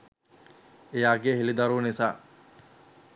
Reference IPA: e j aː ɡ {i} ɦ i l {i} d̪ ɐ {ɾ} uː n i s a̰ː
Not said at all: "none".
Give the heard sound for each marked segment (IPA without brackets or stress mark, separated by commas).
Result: e, i, ɾ